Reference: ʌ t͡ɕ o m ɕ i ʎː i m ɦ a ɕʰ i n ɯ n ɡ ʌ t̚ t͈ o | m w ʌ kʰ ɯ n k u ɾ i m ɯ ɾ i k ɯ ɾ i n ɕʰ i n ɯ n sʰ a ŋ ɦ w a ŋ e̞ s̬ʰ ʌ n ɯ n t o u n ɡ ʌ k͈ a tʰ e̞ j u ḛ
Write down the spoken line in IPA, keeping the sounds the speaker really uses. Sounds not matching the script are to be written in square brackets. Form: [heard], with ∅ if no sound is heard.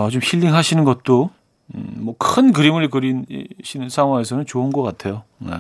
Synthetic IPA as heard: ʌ t͡ɕ o m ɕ i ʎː i [ŋ] ɦ a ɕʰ i n ɯ n ɡ ʌ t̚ t͈ o | m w ʌ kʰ ɯ n k [ɯ] ɾ i m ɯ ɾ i k ɯ ɾ i n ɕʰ i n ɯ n sʰ a ŋ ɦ w a ŋ e̞ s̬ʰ ʌ n ɯ n [t͡ɕ] o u n ɡ ʌ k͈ a tʰ e̞ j [o] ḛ